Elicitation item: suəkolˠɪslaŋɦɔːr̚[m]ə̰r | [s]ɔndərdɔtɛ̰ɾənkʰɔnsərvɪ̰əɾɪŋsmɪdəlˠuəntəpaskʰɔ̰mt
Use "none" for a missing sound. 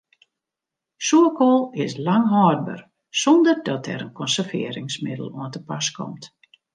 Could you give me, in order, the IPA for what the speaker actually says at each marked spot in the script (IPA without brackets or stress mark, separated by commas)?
b, s